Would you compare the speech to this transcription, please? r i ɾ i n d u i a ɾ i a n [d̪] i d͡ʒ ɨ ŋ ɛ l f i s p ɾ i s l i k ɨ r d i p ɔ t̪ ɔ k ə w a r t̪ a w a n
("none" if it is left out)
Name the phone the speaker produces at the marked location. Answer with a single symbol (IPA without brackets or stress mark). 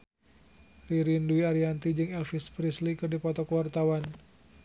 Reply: t̪